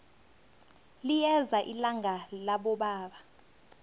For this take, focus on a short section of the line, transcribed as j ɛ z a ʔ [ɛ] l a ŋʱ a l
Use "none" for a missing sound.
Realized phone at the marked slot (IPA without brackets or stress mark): i